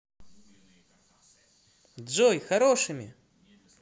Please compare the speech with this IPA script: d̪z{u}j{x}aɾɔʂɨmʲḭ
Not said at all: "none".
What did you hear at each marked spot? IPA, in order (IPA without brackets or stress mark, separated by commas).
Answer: ɔ, x